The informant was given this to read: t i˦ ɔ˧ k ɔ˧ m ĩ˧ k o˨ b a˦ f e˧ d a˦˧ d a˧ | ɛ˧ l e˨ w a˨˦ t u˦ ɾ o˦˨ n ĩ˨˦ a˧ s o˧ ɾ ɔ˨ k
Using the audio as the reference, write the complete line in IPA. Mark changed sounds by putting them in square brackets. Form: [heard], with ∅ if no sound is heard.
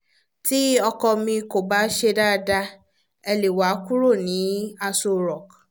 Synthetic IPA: t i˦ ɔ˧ k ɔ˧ m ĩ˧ k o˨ b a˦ [ʃ] e˧ d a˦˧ d a˧ | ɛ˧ l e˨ w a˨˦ [k] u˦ ɾ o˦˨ n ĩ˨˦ a˧ s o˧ ɾ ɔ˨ k